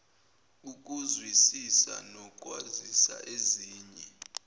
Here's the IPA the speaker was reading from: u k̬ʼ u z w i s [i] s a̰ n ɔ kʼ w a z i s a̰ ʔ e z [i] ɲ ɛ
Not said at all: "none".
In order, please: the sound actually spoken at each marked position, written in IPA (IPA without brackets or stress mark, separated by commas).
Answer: i, iː